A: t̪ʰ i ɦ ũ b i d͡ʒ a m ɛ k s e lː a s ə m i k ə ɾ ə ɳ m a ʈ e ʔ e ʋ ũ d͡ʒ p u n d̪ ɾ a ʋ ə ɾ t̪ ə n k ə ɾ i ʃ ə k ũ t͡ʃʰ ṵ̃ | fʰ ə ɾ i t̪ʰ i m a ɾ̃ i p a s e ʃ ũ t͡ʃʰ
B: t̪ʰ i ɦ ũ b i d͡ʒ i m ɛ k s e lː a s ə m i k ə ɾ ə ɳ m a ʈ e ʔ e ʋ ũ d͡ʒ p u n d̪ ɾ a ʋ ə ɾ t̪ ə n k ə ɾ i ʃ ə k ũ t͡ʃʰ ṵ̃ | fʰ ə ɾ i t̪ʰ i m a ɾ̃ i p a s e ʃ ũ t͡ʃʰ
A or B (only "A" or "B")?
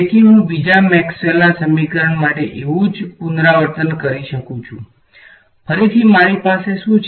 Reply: A